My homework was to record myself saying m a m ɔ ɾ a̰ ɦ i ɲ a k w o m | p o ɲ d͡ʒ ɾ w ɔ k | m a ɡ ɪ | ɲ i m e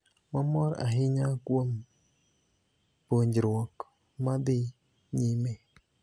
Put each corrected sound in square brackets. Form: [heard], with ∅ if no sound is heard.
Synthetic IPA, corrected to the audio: m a m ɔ ɾ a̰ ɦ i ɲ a k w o m | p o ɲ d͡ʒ ɾ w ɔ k | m a [d] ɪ | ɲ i m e